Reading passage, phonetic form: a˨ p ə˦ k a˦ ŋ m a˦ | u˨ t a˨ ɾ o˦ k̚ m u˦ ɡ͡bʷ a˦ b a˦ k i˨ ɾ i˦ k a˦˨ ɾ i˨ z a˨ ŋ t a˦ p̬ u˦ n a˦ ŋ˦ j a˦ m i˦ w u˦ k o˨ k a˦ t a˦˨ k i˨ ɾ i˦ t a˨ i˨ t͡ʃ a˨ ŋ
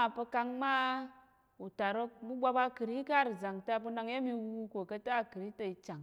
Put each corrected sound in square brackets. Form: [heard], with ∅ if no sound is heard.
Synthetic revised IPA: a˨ p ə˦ k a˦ ŋ m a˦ | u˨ t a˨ ɾ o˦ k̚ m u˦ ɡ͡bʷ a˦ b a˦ k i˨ ɾ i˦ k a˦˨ ɾ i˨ z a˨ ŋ t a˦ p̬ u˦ n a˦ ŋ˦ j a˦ m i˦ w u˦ k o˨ k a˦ t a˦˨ k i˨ ɾ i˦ t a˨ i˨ t͡ʃ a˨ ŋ